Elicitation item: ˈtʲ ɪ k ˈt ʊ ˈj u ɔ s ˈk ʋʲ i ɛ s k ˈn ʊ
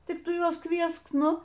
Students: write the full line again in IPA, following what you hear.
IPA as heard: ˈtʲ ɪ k ˈt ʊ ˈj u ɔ s ˈk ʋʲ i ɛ s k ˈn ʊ

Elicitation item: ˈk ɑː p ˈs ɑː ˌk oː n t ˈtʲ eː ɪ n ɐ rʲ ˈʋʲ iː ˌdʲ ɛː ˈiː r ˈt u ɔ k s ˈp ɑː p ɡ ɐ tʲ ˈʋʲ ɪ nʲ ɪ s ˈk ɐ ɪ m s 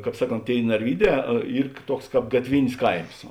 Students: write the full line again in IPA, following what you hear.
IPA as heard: ˈk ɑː p ˈs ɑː ˌk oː n t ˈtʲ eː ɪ n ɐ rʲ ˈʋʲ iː ˌdʲ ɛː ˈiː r ˈt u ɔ k s ˈk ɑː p ɡ ɐ tʲ ˈʋʲ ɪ nʲ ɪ s ˈk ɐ ɪ m s

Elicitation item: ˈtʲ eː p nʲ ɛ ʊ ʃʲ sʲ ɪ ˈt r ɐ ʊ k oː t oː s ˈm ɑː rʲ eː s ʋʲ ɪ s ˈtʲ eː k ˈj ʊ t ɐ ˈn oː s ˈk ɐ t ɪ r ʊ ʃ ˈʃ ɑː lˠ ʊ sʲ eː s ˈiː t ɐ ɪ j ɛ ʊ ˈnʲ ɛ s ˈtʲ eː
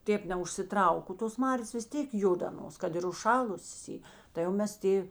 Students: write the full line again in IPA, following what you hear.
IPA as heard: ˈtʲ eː p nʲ ɛ ʊ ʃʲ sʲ ɪ ˈt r ɐ ʊ k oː t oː s ˈm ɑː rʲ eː s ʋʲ ɪ s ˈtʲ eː k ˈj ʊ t ɐ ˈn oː s ˈk ɐ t ɪ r ʊ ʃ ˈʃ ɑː lˠ ʊ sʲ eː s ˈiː t ɐ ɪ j ɛ ʊ ˈmʲ ɛ s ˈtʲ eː

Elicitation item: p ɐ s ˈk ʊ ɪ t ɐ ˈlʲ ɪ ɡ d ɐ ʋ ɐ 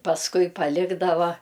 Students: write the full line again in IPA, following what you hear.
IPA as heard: p ɐ s ˈk ʊ ɪ p ɐ ˈlʲ ɪ ɡ d ɐ ʋ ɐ

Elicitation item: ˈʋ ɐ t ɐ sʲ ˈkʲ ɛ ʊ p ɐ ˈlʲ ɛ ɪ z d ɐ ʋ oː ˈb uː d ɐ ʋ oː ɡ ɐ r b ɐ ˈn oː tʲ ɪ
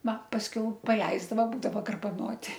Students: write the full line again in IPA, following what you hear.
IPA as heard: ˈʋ ɐ p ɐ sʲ ˈkʲ ɛ ʊ p ɐ ˈlʲ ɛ ɪ z d ɐ ʋ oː ˈb uː d ɐ ʋ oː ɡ ɐ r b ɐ ˈn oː tʲ ɪ

